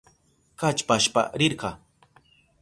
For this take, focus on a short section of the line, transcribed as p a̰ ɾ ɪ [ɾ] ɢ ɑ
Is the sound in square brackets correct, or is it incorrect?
correct